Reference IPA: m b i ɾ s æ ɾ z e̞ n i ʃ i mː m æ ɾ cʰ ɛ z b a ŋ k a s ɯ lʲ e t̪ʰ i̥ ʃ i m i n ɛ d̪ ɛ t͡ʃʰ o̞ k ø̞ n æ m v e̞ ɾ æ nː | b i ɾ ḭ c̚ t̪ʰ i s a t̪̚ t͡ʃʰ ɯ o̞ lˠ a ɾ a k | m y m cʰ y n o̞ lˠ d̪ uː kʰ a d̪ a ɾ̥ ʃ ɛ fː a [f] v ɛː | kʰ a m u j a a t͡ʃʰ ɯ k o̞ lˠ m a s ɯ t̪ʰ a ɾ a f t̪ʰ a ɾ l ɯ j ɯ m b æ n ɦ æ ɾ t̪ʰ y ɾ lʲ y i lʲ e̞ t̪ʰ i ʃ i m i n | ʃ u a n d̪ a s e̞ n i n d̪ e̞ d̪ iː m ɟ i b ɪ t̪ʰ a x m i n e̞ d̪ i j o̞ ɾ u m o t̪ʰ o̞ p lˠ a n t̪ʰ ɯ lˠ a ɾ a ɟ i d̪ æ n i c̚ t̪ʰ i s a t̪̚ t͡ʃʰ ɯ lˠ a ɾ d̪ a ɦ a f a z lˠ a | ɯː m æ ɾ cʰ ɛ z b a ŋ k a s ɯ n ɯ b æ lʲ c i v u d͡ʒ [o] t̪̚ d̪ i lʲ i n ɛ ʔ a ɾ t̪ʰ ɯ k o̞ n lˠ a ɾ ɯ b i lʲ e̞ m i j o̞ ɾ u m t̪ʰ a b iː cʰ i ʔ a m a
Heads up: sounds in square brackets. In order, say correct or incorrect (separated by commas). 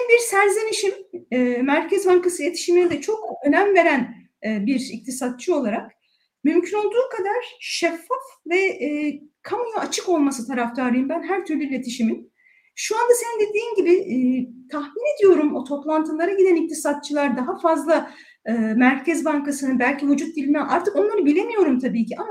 correct, incorrect